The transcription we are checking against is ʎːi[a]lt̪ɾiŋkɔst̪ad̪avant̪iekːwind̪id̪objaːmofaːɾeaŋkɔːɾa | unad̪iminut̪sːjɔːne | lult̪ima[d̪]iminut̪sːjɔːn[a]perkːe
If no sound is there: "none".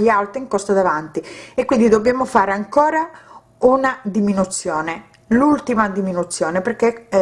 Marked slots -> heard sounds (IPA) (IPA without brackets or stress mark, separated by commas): a, d̪, e